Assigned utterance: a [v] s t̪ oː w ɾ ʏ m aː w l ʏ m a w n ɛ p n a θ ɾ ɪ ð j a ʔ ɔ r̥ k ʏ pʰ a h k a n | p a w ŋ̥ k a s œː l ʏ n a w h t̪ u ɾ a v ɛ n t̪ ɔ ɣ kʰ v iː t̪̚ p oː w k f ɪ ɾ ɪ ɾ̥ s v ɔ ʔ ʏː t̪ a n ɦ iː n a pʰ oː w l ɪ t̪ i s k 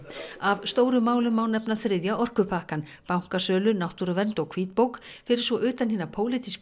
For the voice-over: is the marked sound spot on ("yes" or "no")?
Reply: yes